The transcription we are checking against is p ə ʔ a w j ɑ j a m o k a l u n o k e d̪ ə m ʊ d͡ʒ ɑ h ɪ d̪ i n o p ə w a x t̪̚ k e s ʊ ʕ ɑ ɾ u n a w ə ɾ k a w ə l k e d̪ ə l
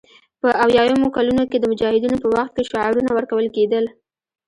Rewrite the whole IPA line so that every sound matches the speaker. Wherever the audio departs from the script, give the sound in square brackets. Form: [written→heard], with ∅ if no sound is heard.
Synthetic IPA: p ə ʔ a w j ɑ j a m o k a l u n o k e d̪ ə m ʊ d͡ʒ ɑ h ɪ d̪ i n o p ə w a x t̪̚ k e [s→ʃ] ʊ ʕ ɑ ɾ u n a w ə ɾ k a w ə l k e d̪ ə l